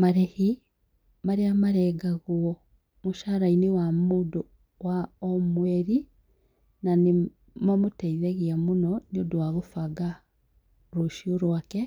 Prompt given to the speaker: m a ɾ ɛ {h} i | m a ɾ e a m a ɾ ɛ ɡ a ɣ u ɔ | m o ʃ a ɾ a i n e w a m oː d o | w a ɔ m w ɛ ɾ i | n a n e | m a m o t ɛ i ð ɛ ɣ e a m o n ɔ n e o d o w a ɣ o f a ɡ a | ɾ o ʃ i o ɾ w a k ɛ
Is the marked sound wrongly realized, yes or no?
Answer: no